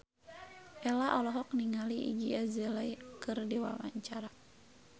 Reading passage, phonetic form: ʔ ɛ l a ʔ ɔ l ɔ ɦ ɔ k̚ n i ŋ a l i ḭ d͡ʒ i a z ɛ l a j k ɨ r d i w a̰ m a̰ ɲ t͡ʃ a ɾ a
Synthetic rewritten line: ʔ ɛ l a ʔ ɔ l ɔ ɦ ɔ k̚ n i ŋ a l i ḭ d͡ʒ i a z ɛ l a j k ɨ r d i w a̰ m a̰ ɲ t͡ʃ a ɾ a